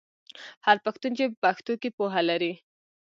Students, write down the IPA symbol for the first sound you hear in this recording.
h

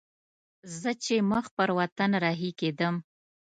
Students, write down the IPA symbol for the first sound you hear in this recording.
z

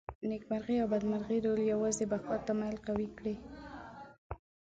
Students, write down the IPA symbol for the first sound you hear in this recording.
n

